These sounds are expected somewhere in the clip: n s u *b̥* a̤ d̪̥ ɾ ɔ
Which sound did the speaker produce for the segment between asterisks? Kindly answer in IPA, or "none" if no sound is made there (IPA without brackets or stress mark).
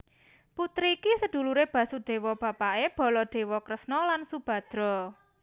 b̥